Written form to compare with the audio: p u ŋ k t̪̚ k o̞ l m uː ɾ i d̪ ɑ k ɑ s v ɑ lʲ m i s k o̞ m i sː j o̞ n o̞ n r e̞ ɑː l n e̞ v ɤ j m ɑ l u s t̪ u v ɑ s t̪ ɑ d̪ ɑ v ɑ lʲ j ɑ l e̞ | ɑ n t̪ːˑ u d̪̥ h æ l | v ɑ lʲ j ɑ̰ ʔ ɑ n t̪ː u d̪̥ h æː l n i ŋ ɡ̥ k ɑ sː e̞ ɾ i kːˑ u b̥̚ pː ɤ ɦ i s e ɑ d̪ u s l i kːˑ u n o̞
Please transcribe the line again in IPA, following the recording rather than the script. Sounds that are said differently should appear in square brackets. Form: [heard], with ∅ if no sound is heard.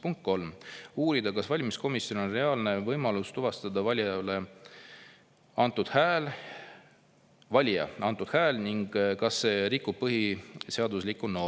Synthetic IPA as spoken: p u ŋ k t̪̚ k o̞ l m uː ɾ i d̪ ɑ k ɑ s v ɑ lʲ m i s k o̞ m i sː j o̞ n o̞ n r e̞ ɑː l n e̞ v ɤ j m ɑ l u s t̪ u v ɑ s t̪ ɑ d̪ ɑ v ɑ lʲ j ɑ l e̞ | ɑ n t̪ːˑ u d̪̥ h æ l | v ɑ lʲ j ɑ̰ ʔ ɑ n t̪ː u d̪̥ h æː l n i ŋ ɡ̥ k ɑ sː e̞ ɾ i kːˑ u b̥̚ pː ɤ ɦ i s e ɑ d̪ u s l i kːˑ u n o̞